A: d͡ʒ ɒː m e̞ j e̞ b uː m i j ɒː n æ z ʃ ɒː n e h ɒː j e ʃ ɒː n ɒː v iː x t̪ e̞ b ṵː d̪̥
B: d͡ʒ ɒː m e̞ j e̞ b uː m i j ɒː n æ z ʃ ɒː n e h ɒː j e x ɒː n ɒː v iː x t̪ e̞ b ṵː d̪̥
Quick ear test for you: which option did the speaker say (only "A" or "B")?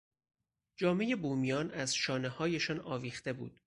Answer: A